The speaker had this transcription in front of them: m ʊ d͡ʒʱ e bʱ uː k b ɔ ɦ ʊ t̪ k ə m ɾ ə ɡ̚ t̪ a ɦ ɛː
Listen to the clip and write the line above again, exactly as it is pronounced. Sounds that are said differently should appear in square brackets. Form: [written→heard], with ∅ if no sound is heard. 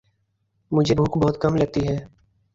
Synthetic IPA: m ʊ d͡ʒʱ e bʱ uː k b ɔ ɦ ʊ t̪ k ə m [ɾ→l] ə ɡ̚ t̪ [a→i] ɦ ɛː